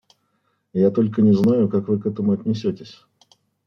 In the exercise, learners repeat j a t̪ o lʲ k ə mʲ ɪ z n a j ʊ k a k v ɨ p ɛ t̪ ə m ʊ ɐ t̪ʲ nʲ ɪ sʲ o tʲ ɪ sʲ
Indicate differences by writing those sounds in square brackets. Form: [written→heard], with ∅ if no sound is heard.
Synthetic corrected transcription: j a t̪ o lʲ k ə [mʲ→nʲ] ɪ z n a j ʊ k a k v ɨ [p→k] ɛ t̪ ə m ʊ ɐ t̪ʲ nʲ ɪ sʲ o tʲ ɪ sʲ

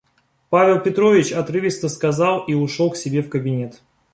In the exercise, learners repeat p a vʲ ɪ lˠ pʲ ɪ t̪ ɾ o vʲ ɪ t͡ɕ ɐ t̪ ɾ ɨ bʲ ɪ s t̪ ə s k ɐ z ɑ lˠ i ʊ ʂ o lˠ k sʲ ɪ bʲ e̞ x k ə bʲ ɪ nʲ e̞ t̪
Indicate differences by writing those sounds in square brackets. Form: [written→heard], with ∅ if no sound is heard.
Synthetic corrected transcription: p a vʲ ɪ lˠ pʲ ɪ t̪ ɾ o vʲ ɪ t͡ɕ ɐ t̪ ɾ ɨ [bʲ→vʲ] ɪ s t̪ ə s k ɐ z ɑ lˠ i ʊ ʂ o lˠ k sʲ ɪ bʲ e̞ [x→f] k ə bʲ ɪ nʲ e̞ t̪

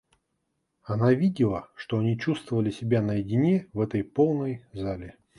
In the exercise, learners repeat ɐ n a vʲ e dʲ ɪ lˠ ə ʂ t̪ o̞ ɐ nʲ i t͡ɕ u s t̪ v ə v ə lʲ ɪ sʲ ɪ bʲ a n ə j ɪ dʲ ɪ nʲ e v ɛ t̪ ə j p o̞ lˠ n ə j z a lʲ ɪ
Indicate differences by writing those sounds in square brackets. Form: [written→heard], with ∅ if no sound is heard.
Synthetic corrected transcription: ɐ n a vʲ [e→i] dʲ ɪ lˠ ə ʂ t̪ o̞ ɐ nʲ i t͡ɕ u s t̪ v ə v ə lʲ ɪ sʲ ɪ bʲ a n ə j ɪ dʲ ɪ nʲ e v ɛ t̪ ə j p o̞ lˠ n ə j z a lʲ ɪ

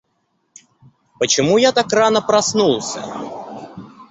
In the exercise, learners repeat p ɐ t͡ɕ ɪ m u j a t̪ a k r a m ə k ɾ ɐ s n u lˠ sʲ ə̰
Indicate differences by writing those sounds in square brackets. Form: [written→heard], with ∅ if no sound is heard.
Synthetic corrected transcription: p [ɐ→ə] t͡ɕ ɪ m u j a t̪ a k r a [m→n] ə [k→p] ɾ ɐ s n u lˠ sʲ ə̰

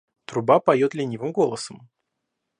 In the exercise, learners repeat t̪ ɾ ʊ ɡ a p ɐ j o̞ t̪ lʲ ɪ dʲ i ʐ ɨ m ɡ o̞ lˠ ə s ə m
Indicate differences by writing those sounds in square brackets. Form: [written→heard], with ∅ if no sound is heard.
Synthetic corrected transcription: t̪ ɾ ʊ [ɡ→b] a p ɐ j o̞ t̪ lʲ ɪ [dʲ→nʲ] i [ʐ→v] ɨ m ɡ o̞ lˠ ə s ə m

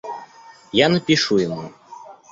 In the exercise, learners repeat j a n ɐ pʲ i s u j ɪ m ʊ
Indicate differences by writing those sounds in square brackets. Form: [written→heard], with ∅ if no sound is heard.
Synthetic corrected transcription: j a n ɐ pʲ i [s→ʂ] u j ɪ m [ʊ→u]

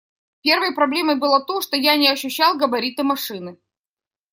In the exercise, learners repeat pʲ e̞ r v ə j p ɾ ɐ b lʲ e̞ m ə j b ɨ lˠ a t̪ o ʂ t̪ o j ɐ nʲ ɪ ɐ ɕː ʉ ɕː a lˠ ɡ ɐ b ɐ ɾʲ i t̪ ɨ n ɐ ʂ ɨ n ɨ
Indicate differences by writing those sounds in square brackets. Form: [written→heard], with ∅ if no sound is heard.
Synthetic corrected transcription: pʲ e̞ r v ə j p ɾ ɐ b lʲ e̞ m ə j b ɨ lˠ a t̪ o ʂ t̪ o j [ɐ→a] nʲ ɪ ɐ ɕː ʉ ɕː a lˠ ɡ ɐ b ɐ ɾʲ i t̪ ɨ [n→m] ɐ ʂ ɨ n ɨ

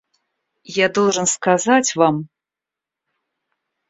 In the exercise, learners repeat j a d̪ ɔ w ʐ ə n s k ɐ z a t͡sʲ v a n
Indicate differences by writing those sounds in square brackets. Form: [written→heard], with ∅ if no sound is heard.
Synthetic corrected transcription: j a d̪ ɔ w ʐ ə n s k [ɐ→a] z a t͡sʲ v a [n→m]

